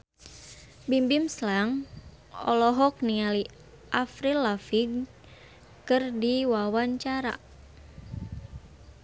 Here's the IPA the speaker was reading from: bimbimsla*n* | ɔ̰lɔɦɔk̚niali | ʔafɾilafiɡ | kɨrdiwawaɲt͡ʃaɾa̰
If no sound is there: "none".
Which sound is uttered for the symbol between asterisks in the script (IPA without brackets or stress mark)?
ŋ